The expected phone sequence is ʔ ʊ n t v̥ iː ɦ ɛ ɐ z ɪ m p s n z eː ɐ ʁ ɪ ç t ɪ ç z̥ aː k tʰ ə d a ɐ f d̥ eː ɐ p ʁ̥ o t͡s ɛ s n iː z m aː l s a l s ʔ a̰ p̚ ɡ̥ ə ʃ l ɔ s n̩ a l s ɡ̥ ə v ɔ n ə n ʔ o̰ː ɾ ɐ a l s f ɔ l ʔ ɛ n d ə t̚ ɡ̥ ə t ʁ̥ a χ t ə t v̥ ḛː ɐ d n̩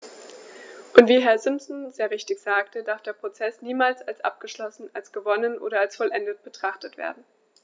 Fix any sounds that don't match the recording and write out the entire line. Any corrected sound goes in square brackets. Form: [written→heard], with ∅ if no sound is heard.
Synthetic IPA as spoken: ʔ ʊ n t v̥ iː ɦ ɛ ɐ z ɪ m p s n z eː ɐ ʁ ɪ ç t ɪ ç z̥ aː k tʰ ə d a ɐ f d̥ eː ɐ p ʁ̥ o t͡s ɛ s n iː [z→∅] m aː l s a l s ʔ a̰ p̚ ɡ̥ ə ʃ l ɔ s n̩ a l s ɡ̥ ə v ɔ n ə n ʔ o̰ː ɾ ɐ a l s f ɔ l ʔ ɛ n d ə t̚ [ɡ̥→b̥] ə t ʁ̥ a χ t ə t v̥ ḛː ɐ d n̩